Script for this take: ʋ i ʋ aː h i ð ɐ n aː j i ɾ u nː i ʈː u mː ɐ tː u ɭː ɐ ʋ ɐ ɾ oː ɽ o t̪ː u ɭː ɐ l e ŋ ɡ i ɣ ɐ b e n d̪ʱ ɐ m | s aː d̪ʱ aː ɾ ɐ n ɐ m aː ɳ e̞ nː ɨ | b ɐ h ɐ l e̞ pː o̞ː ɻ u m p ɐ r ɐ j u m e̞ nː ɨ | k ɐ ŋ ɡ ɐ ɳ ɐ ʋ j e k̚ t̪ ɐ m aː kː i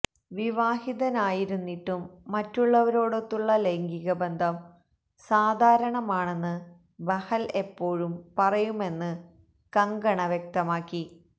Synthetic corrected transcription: ʋ i ʋ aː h i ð ɐ n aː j i ɾ u nː i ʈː u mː ɐ tː u ɭː ɐ ʋ ɐ ɾ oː ɽ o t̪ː u ɭː ɐ l e ŋ ɡ i ɣ ɐ b e n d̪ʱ ɐ m | s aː d̪ʱ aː ɾ ɐ ɳ ɐ m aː ɳ e̞ nː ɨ | b ɐ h ɐ l e̞ pː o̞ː ɻ u m p ɐ r ɐ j u m e̞ nː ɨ | k ɐ ŋ ɡ ɐ ɳ ɐ ʋ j e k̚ t̪ ɐ m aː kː i